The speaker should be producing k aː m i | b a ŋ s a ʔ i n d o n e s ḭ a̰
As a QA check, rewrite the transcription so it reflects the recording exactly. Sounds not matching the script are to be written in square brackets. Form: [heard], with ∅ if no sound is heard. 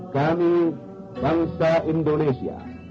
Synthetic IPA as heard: k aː m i | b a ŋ s a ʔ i n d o n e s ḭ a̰